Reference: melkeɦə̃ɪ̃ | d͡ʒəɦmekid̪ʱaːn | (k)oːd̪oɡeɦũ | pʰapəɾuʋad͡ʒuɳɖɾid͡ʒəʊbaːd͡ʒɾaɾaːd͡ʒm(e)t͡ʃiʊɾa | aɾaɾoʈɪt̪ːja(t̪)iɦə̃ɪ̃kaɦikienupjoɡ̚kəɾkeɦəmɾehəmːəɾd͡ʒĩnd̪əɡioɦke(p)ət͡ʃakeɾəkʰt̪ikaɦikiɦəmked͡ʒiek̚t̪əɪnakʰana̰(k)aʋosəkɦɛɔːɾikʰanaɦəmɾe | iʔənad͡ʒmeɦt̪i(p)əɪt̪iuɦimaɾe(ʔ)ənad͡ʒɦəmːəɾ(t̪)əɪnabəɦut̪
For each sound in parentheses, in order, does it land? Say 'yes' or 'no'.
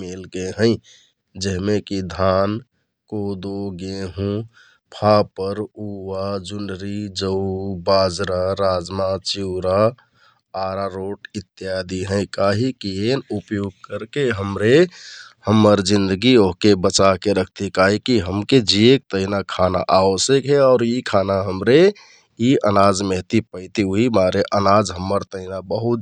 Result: yes, no, no, no, no, yes, yes, yes

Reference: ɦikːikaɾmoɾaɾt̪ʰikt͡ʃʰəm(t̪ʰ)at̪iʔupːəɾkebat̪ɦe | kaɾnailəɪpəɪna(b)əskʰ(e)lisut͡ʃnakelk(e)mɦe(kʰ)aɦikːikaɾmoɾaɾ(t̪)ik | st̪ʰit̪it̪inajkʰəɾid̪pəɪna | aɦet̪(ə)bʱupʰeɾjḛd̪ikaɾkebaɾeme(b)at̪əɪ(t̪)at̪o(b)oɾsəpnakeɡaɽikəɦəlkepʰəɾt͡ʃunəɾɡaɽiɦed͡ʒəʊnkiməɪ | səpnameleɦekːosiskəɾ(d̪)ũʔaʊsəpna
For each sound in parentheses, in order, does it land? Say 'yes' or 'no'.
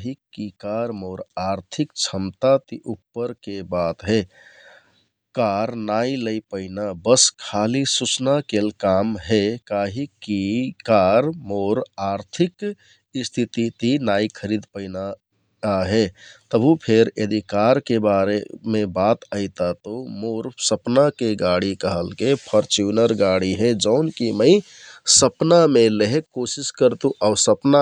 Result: no, yes, no, no, no, no, yes, yes, yes, no, no

